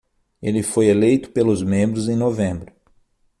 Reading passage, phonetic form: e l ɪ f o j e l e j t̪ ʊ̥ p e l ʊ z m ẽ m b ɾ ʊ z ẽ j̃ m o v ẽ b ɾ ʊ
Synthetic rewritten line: e l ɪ f o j e l e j t̪ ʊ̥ p e l ʊ z m ẽ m b ɾ ʊ z ẽ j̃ n o v ẽ b ɾ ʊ